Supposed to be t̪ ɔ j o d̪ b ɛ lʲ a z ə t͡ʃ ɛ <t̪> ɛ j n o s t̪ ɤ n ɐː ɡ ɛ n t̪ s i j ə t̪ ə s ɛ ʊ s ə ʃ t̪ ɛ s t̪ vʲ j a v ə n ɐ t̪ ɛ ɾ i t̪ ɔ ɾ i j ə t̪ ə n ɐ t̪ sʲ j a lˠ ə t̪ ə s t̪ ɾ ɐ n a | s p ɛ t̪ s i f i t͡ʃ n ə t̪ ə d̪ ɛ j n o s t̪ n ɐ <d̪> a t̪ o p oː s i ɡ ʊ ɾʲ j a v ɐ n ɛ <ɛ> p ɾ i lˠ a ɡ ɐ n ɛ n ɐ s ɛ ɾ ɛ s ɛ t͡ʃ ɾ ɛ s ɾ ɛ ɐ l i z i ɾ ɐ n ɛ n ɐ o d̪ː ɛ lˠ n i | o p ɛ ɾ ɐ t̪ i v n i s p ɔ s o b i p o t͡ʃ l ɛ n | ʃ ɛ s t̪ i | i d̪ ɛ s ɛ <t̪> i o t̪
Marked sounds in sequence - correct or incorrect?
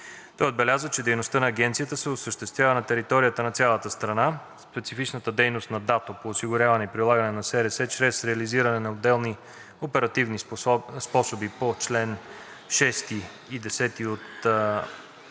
incorrect, correct, incorrect, correct

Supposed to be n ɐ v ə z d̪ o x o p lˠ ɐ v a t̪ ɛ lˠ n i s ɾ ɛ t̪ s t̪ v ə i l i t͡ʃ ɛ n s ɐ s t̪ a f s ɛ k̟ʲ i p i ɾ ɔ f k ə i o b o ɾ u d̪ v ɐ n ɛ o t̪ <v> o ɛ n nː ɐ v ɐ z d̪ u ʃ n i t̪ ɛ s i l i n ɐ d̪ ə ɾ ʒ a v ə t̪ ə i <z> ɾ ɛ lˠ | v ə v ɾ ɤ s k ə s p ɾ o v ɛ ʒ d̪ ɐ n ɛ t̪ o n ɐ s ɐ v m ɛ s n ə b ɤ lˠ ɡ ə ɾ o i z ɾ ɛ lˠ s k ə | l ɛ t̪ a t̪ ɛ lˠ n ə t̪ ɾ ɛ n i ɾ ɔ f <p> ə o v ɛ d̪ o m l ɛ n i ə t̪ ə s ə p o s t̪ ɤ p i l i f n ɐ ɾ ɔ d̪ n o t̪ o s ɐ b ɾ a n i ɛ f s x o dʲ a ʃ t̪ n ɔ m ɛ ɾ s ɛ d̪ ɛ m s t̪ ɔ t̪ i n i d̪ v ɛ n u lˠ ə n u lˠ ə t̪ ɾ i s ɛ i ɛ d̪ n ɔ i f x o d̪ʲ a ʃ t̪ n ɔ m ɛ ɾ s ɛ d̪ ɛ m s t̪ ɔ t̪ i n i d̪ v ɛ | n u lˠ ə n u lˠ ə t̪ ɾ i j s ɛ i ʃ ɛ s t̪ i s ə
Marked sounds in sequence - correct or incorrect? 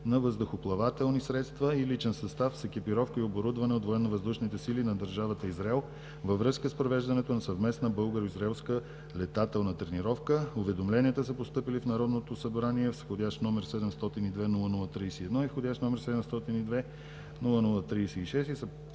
correct, correct, incorrect

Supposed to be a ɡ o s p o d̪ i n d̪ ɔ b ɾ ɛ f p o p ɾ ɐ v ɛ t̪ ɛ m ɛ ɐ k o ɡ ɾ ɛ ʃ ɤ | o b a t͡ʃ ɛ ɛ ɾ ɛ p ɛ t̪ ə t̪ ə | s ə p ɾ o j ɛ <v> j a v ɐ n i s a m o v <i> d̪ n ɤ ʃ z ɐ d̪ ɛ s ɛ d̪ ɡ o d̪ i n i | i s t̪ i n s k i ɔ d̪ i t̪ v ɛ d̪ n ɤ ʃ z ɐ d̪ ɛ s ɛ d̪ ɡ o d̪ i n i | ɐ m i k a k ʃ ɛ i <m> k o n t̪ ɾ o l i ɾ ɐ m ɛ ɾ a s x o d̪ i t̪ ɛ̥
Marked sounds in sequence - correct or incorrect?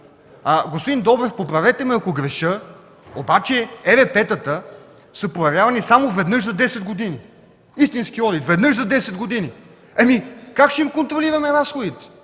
correct, incorrect, correct

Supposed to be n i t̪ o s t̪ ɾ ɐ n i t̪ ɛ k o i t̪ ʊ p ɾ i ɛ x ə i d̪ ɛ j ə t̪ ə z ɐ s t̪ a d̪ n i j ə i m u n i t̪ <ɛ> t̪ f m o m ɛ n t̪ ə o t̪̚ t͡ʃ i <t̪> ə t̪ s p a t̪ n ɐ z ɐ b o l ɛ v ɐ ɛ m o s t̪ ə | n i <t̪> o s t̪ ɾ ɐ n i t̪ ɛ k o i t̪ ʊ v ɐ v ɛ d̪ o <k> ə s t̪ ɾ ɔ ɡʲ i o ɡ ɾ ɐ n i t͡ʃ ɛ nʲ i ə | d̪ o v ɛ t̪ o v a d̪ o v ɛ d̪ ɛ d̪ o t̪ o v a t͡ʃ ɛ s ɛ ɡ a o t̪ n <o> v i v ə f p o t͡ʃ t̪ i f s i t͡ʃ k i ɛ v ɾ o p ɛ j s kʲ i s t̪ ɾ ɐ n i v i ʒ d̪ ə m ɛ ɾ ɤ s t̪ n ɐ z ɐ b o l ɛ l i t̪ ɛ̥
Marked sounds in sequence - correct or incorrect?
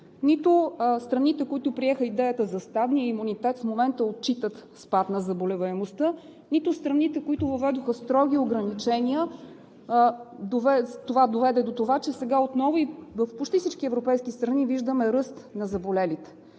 correct, correct, correct, incorrect, incorrect

